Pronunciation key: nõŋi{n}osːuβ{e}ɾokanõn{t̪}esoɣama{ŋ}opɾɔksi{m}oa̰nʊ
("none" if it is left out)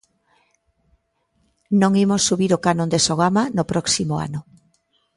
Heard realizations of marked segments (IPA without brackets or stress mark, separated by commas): m, i, d̪, n, m